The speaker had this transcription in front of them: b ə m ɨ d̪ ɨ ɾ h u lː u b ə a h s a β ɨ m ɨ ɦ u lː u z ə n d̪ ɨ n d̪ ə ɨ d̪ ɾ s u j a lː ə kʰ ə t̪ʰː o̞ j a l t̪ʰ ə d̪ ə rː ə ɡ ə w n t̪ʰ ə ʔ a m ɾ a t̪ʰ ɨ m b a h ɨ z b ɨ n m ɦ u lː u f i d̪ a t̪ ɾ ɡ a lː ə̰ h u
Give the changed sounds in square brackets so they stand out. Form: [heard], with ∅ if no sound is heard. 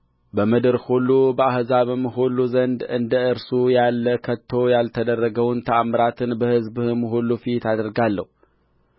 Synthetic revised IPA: b ə m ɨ d̪ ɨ ɾ h u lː u b ə a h [z] a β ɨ m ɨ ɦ u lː u z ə n d̪ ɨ n d̪ ə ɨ [∅] ɾ s u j a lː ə kʰ ə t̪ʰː o̞ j a l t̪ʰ ə d̪ ə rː ə ɡ ə w n t̪ʰ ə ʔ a m ɾ a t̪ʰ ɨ [n] b [ə] h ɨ z b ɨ [∅] m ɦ u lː u f i [t̪] a [d̪] ɾ ɡ a lː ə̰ h u